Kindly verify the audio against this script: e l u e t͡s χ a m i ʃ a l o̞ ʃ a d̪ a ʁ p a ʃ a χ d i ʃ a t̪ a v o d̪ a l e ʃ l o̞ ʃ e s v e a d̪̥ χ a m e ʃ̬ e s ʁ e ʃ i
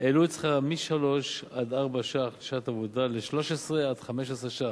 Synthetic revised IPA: e l u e t͡s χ a m i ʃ a l o̞ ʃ a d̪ a ʁ b a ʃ a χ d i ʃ a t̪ a v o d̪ a l e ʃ l o̞ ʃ e s ʁ e a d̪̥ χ a m e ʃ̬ e s ʁ e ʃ a

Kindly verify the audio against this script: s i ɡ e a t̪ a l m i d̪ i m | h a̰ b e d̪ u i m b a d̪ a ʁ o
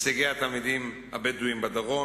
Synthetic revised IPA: s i ɡ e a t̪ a l m i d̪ i m | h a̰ b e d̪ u i m b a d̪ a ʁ o

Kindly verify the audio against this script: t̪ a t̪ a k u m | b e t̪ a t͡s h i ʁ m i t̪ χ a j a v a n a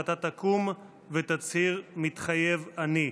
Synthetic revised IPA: t̪ a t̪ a k u m | v e t̪ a t͡s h i ʁ m i t̪ χ a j e v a n i

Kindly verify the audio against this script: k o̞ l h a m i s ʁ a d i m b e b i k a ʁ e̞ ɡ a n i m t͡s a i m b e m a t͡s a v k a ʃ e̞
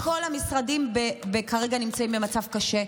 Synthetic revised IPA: k o̞ l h a m i s ʁ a d i m b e b e k a ʁ e̞ ɡ a n i m t͡s a i m b e m a t͡s a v k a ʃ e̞

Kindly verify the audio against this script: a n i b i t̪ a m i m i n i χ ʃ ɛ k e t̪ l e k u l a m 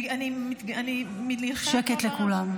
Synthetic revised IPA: a n i m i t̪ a n i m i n i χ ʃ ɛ k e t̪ l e k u l a m

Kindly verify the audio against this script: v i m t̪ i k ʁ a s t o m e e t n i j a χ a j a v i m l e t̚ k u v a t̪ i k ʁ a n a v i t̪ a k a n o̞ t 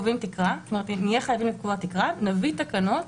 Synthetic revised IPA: v i m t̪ i k ʁ a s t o m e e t n i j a χ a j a v i m l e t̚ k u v a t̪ i k ʁ a n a v i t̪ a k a n o̞ t

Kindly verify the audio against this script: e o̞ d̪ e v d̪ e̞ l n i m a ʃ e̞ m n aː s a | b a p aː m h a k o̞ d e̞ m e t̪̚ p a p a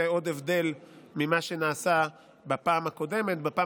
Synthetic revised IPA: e o̞ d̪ e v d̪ e̞ l m i m a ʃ e̞ n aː s a | b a p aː m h a k o̞ d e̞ m e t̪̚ b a p a

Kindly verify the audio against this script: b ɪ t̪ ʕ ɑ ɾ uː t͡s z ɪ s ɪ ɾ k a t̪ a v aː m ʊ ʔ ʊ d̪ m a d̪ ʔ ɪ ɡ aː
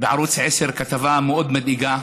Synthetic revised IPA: b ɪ ʕ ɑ ɾ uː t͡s ʕ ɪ s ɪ ɾ k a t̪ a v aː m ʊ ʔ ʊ d̪ m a d̪ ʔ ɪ ɡ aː

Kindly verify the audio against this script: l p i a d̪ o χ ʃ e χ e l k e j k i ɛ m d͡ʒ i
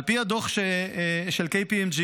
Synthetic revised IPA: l p i a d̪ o χ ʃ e ʃ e l k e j p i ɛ m d͡ʒ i

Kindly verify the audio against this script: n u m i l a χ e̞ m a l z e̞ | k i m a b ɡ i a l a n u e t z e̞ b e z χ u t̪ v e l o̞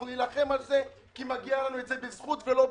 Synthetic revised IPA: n u n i l a χ e̞ m a l z e̞ | k i m a ɡ i a l a n u e t z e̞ b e z χ u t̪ v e l o̞

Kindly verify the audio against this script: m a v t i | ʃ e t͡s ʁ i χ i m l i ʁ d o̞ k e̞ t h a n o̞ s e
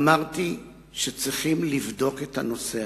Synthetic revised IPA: m a ʁ t i | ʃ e t͡s ʁ i χ i m l i v d o̞ k e̞ t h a n o̞ s e

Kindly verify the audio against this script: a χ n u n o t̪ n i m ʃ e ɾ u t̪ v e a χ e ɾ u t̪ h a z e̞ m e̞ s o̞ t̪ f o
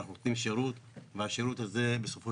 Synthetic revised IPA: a χ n u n o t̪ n i m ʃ e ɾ u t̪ v e a ʃ e ɾ u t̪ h a z e̞ b e̞ s o̞ f o

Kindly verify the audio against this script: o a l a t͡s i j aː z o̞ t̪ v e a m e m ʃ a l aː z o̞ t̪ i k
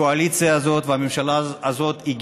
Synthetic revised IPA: o a l i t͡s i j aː z o̞ t̪ v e a m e m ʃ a l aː z o̞ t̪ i ɡ

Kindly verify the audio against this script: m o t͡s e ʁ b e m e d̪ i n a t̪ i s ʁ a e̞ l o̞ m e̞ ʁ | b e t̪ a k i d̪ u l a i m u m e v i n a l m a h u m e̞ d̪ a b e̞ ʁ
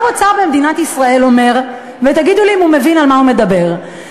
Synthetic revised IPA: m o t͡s a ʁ b e m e d̪ i n a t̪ i s ʁ a e̞ l o̞ m e̞ ʁ | v e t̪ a ɡ i d̪ u l i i m u m e v i n a l m a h u m e̞ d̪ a b e̞ ʁ

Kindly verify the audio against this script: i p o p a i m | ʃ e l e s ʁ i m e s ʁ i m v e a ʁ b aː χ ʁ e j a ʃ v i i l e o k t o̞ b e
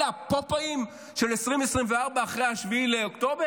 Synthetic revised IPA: a p o p a i m | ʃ e l e s ʁ i m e s ʁ i m v e a ʁ b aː χ ʁ e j a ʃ v i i l e o k t o̞ b e

